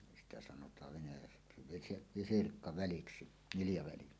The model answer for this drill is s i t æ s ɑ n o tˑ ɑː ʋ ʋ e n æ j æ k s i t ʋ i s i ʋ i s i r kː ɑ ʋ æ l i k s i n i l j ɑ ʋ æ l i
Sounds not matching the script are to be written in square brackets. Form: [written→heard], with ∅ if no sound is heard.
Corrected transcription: s i t æ s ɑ n o tˑ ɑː ʋ ʋ e n æ j æ k s i [t→∅] ʋ i s i ʋ i s i r kː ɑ ʋ æ l i k s i n i l j ɑ ʋ æ l i